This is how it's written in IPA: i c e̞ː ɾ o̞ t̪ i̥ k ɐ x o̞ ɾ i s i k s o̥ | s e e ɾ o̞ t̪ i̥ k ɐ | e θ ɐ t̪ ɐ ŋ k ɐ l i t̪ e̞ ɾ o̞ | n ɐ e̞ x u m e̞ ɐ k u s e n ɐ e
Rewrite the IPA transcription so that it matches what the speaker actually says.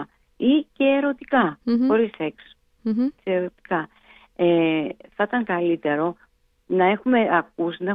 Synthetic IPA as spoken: i c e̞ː ɾ o̞ t̪ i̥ k ɐ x o̞ ɾ i s e k s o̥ | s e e ɾ o̞ t̪ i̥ k ɐ | e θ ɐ t̪ ɐ ŋ k ɐ l i t̪ e̞ ɾ o̞ | n ɐ e̞ x u m e̞ ɐ k u s i n ɐ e